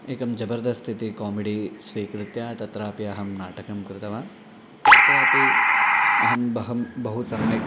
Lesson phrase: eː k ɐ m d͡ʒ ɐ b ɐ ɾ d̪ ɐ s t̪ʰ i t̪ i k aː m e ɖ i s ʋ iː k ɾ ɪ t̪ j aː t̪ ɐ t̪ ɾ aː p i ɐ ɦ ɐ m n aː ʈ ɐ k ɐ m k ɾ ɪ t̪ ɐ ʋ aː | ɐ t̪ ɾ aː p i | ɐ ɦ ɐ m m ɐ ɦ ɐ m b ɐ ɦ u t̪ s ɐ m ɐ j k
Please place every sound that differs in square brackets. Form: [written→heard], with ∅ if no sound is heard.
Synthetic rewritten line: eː k ɐ m d͡ʒ ɐ b ɐ ɾ d̪ ɐ s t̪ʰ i t̪ i k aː m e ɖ i s ʋ iː k ɾ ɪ t̪ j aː t̪ ɐ t̪ ɾ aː p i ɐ ɦ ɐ m n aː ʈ ɐ k ɐ m k ɾ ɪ t̪ ɐ ʋ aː | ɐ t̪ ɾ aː p i | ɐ ɦ ɐ m [m→b] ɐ ɦ ɐ m b ɐ ɦ u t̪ s ɐ m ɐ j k